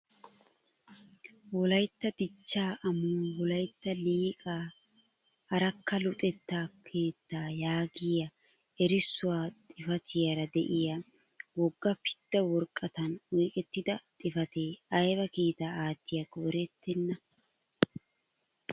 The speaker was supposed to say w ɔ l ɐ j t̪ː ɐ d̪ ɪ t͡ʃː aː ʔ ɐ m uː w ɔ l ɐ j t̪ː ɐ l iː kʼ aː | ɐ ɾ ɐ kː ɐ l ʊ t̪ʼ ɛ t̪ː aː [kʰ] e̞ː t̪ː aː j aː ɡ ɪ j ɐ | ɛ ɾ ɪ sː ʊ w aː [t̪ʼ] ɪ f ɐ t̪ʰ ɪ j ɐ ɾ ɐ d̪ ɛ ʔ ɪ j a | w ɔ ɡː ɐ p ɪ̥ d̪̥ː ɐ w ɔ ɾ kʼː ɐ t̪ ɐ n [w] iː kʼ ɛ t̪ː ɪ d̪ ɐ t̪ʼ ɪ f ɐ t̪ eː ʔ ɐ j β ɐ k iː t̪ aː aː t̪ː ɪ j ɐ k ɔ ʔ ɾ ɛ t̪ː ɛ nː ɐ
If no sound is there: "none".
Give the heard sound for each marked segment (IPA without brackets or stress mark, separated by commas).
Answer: kʰ, t̪ʼ, w